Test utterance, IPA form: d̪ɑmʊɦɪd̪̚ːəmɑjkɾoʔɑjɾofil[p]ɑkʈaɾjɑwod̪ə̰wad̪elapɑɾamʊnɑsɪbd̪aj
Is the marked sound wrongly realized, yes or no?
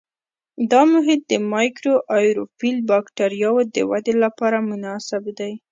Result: yes